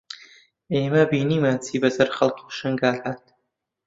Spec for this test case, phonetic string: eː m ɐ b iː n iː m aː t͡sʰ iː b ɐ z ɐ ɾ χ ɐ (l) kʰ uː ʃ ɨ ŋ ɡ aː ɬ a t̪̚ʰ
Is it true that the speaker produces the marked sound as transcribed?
yes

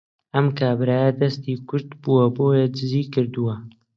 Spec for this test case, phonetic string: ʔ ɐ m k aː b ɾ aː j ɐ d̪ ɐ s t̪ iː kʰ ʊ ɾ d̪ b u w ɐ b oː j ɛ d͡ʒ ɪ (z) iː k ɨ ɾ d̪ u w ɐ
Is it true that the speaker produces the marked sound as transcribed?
yes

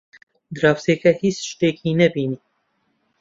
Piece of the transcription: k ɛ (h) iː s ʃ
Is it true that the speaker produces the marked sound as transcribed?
yes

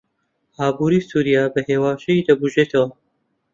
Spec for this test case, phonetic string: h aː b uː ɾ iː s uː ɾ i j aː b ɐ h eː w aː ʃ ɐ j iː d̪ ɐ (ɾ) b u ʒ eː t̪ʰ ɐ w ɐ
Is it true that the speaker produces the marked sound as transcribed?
no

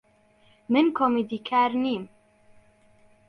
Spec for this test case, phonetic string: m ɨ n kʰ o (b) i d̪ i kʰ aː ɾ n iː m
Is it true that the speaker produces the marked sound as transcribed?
no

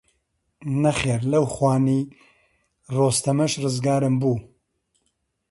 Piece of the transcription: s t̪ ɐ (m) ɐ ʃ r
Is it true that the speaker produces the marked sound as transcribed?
yes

